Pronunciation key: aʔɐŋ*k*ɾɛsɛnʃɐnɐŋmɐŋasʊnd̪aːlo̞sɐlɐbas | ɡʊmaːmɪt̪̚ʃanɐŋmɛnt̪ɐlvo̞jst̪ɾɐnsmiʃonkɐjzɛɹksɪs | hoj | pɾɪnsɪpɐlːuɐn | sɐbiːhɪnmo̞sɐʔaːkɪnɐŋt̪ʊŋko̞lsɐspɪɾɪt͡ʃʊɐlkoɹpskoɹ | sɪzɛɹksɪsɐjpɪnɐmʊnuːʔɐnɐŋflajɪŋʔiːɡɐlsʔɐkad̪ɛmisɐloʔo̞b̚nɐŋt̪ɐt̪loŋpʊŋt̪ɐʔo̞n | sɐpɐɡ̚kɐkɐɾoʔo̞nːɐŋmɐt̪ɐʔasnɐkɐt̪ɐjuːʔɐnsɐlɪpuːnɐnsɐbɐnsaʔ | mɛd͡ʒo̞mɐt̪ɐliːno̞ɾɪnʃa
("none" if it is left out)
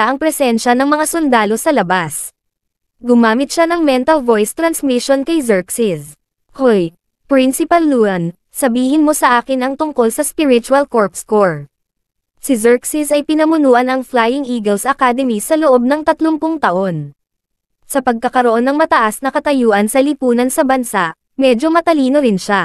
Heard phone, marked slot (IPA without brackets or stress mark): p